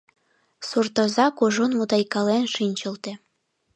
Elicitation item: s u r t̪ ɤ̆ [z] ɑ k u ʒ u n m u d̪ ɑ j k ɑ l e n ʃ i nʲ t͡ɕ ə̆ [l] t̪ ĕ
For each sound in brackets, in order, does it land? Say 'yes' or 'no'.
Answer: yes, yes

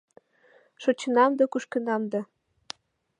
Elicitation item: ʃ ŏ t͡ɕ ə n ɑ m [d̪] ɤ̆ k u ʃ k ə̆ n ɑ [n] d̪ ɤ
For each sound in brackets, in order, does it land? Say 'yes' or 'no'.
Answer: yes, no

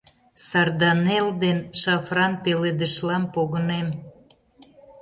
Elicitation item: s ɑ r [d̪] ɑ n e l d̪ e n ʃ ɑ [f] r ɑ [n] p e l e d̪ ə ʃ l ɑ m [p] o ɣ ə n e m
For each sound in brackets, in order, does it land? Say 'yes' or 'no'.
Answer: yes, yes, yes, yes

